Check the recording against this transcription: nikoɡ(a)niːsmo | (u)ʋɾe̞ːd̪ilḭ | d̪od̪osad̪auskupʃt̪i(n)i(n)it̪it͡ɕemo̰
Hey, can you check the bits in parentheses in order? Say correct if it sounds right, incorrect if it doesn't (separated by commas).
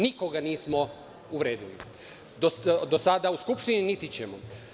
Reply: correct, correct, correct, correct